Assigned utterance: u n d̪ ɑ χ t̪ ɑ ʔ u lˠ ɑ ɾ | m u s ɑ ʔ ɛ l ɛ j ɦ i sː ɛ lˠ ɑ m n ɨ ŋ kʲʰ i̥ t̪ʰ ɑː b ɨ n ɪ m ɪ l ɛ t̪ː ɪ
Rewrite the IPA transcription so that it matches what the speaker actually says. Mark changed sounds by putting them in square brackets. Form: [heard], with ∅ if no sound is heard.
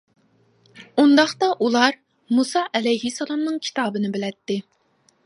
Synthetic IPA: u n d̪ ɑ χ t̪ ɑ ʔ u lˠ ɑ ɾ | m u s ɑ ʔ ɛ l ɛ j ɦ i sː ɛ lˠ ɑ m n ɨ ŋ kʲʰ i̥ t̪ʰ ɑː b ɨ n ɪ [b] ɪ l ɛ t̪ː ɪ

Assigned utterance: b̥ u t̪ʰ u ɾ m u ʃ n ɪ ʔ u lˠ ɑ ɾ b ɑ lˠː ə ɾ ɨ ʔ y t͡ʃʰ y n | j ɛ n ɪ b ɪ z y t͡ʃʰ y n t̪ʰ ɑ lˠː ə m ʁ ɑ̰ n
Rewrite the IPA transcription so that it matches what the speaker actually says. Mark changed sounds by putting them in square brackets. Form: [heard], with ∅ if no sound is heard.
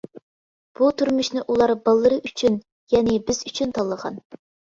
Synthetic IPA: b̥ u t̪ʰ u ɾ m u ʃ n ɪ ʔ u lˠ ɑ ɾ b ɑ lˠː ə ɾ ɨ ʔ y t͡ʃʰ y n | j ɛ n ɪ b ɪ z y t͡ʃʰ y n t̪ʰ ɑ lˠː ə [∅] ʁ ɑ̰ n

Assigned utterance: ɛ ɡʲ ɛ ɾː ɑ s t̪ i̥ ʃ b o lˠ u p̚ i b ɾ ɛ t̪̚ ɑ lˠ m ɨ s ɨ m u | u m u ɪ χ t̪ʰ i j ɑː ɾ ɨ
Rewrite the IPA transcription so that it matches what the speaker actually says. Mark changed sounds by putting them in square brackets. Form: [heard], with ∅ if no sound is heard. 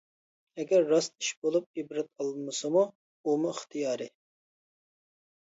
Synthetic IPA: ɛ ɡʲ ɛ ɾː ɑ s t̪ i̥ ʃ b o lˠ u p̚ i b ɾ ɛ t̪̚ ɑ lˠ m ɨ s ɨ m u | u m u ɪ χ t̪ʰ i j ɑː ɾ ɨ

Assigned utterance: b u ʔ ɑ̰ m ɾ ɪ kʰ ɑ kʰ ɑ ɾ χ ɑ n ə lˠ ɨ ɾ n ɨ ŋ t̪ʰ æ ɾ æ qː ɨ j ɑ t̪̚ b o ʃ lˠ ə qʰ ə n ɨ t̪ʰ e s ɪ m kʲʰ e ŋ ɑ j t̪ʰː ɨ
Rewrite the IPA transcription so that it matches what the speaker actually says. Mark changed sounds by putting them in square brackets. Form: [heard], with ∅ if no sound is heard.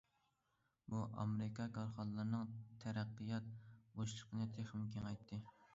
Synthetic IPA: b u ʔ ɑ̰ m ɾ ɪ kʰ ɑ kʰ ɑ ɾ χ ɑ n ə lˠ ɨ ɾ n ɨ ŋ t̪ʰ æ ɾ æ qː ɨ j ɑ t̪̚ b o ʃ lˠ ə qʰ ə n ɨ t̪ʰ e [χ] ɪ m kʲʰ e ŋ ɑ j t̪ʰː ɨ

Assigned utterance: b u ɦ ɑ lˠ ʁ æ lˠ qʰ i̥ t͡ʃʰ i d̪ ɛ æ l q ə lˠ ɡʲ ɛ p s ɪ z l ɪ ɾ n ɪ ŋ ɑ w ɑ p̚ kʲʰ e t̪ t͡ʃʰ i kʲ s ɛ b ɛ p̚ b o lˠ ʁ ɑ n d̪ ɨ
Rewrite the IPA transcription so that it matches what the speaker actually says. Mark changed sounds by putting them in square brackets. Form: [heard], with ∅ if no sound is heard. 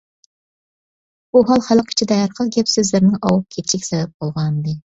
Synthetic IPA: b u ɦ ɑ lˠ [χ] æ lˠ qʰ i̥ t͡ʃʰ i d̪ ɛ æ [ɾ] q ə lˠ ɡʲ ɛ p s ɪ z l ɪ ɾ n ɪ ŋ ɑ w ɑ p̚ kʲʰ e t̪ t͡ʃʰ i kʲ s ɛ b ɛ p̚ b o lˠ ʁ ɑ n d̪ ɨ

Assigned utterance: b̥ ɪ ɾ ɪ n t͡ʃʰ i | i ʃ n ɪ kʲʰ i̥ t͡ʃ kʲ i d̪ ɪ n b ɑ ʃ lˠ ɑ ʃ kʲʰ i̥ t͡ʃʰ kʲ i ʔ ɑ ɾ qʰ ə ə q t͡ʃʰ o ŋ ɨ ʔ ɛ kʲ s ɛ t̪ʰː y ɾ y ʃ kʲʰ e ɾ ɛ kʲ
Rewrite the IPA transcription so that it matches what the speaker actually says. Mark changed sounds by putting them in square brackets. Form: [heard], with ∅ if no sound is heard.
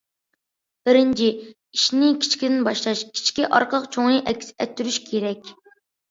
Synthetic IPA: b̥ ɪ ɾ ɪ n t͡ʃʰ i | i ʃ n ɪ kʲʰ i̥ t͡ʃ kʲ i d̪ ɪ n b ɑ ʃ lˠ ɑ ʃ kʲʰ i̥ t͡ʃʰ kʲ i ʔ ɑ ɾ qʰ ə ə q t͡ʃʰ o ŋ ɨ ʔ ɛ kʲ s ɛ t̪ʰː y ɾ y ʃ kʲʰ e ɾ ɛ kʲ

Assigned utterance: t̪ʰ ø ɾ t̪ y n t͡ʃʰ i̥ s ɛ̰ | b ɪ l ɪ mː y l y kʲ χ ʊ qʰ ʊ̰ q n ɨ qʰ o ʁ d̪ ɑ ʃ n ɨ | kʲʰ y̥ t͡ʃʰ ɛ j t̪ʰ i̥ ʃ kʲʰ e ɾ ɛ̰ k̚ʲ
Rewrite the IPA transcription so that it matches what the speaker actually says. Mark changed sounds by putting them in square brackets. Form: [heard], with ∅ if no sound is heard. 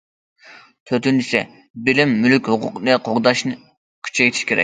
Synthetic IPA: t̪ʰ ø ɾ t̪ y n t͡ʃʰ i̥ s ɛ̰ | b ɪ l ɪ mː y l y kʲ [h] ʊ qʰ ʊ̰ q n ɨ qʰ o ʁ d̪ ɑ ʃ n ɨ | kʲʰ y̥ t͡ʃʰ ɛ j t̪ʰ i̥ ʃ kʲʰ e ɾ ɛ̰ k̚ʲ

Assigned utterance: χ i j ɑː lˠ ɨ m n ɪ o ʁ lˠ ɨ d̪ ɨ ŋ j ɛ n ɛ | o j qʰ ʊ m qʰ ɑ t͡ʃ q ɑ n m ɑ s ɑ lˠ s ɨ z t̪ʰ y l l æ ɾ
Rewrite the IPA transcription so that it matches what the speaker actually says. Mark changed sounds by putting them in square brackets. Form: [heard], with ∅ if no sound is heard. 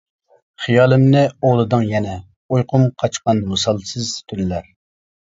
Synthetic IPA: χ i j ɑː lˠ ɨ m n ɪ o ʁ lˠ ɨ d̪ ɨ ŋ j ɛ n ɛ | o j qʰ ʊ m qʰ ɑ t͡ʃ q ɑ n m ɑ s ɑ lˠ s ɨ z t̪ʰ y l l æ ɾ

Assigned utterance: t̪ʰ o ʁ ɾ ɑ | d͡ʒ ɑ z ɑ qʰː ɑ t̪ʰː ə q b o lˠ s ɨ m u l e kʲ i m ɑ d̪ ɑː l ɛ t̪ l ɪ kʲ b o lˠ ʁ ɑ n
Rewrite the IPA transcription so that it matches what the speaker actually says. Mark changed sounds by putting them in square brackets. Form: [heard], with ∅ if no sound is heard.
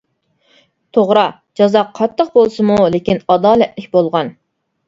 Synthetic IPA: t̪ʰ o ʁ ɾ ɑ | d͡ʒ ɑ z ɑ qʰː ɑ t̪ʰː ə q b o lˠ s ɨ m u l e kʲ i [n] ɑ d̪ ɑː l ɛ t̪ l ɪ kʲ b o lˠ ʁ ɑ n

